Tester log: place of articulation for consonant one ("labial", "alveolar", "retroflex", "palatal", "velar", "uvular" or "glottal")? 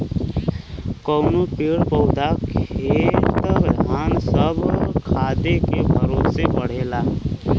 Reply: velar